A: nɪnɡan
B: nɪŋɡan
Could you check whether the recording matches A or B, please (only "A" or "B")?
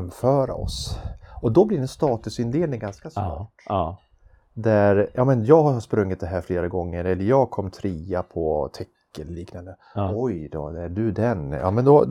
B